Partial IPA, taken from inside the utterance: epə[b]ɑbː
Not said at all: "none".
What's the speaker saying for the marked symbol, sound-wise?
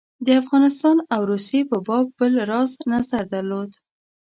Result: b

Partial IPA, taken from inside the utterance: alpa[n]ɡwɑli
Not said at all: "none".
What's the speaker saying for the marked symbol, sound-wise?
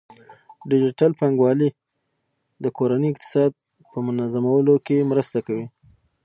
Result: ŋ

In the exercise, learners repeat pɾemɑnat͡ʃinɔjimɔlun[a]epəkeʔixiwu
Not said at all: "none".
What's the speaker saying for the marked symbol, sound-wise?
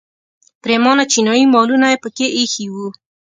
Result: a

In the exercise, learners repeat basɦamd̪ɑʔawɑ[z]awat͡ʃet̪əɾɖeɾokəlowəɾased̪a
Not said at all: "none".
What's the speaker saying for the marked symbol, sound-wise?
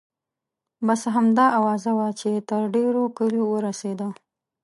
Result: z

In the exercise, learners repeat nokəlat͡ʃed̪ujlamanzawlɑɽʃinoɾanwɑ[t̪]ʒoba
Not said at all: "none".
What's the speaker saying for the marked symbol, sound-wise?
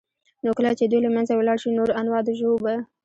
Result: d̪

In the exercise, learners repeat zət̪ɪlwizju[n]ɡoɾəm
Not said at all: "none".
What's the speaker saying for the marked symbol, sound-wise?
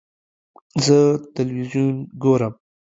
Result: n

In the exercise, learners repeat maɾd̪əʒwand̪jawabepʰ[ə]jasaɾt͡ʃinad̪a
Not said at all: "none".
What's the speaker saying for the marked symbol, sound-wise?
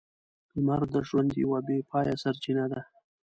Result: ɑ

